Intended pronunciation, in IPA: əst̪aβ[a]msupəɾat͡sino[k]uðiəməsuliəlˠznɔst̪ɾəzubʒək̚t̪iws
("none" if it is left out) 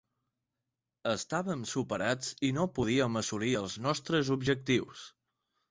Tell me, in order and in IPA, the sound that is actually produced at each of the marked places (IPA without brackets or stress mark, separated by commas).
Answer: ə, p